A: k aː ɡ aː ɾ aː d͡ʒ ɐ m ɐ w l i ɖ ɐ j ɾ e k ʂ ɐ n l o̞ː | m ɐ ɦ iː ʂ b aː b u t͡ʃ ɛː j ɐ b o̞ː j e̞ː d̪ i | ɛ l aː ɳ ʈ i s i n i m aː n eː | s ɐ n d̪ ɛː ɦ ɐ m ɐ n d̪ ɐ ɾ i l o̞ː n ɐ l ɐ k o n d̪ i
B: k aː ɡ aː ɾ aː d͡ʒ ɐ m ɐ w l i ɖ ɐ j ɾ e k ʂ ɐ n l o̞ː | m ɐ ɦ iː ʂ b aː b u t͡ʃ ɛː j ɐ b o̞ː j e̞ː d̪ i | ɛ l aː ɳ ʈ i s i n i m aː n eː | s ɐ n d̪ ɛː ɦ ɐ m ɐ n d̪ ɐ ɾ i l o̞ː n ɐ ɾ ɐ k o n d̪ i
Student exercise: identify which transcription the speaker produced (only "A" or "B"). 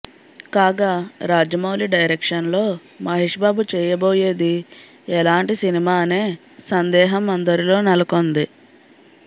A